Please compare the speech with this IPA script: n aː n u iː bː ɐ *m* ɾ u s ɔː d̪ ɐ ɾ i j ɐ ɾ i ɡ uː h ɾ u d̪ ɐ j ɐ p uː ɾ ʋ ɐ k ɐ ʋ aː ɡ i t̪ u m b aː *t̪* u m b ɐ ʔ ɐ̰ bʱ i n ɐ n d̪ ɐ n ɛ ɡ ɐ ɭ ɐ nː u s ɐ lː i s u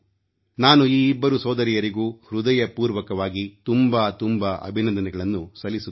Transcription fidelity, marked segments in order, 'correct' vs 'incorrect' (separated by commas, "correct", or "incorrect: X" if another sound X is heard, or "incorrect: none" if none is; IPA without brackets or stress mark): incorrect: none, correct